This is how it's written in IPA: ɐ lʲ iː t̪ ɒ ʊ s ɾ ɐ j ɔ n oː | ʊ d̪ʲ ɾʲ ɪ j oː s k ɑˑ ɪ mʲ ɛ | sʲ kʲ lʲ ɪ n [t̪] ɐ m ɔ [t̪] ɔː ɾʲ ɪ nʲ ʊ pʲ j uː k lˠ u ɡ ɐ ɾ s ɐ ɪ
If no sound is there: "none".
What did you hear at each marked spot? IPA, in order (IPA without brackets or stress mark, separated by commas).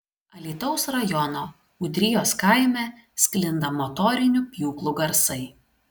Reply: d̪, t̪